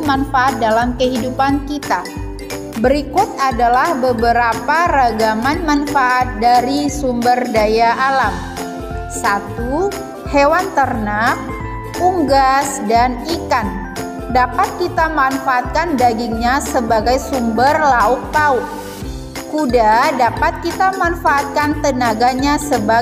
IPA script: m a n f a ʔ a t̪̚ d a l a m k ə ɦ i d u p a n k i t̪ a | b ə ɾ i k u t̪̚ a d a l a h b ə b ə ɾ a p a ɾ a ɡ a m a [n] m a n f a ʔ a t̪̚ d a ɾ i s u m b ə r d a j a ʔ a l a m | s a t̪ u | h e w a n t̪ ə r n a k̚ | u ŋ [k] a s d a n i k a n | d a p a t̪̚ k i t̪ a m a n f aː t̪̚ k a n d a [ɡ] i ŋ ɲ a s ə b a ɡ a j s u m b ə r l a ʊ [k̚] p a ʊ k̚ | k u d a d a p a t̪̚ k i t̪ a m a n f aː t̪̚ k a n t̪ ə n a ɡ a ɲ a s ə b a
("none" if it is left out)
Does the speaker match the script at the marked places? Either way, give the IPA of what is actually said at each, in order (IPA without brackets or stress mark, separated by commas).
n, ɡ, ɡ, k̚